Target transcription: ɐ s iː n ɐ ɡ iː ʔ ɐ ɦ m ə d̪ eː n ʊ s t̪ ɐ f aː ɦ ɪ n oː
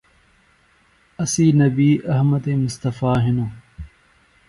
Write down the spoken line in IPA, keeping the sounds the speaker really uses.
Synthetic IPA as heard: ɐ s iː n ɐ b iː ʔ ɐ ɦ m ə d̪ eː m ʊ s t̪ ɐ f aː ɦ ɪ n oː